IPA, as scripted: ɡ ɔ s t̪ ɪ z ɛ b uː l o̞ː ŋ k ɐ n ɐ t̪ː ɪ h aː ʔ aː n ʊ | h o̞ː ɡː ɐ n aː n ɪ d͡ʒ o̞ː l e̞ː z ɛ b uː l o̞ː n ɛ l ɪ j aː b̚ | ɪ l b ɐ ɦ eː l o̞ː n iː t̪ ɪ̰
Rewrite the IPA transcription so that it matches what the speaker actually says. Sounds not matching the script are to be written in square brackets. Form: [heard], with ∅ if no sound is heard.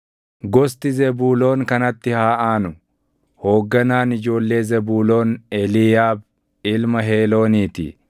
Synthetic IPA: ɡ ɔ s t̪ ɪ z ɛ b uː l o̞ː ŋ k ɐ n ɐ t̪ː ɪ h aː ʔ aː n ʊ | h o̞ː ɡː ɐ n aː n ɪ d͡ʒ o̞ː [lː] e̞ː z ɛ b uː l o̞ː n ɛ l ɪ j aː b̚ | ɪ l [m] ɐ ɦ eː l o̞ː n iː t̪ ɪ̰